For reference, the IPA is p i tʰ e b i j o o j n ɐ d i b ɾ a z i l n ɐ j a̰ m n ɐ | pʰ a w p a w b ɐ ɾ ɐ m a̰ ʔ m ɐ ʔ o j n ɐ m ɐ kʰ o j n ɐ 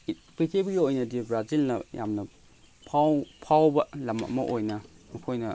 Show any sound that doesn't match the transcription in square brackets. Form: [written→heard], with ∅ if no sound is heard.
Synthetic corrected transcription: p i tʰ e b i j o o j n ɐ d i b ɾ a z i l n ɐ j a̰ m n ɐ | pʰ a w [p→pʰ] a w b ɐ [ɾ→l] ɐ m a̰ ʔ m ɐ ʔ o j n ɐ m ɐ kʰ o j n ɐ